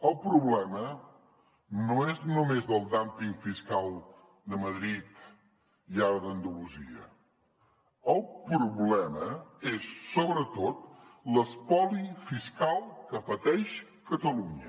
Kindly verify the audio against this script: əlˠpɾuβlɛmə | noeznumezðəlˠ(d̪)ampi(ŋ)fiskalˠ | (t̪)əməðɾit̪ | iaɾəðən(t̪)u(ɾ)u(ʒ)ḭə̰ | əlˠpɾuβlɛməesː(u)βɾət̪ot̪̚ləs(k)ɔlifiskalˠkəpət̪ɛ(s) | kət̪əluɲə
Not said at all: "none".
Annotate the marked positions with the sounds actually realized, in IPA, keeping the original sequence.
d̪, ŋ, d̪, d̪, l, z, o, p, ʃ

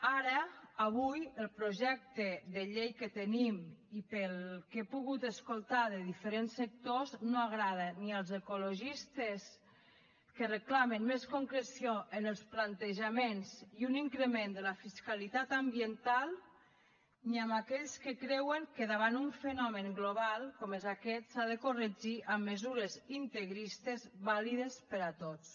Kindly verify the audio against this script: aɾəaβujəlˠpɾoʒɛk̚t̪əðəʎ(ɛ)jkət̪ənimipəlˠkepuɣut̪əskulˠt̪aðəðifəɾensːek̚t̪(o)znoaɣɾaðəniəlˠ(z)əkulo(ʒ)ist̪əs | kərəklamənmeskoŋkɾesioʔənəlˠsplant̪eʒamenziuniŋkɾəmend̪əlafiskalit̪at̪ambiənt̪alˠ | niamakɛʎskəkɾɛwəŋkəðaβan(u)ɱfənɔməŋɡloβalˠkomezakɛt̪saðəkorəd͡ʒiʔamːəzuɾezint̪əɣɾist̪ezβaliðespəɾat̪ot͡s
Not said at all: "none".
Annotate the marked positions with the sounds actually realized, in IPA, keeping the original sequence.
e, o, z, ʒ, u

